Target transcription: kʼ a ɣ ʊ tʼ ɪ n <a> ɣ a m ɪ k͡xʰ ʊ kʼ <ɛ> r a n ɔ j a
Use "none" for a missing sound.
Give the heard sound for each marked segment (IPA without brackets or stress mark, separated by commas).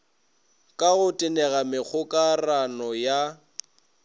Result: ɛ, a